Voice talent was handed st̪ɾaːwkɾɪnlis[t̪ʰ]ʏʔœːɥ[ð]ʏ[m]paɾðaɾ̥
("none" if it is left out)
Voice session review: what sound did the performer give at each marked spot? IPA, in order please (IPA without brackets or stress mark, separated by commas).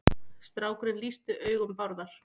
t̪, ɣ, m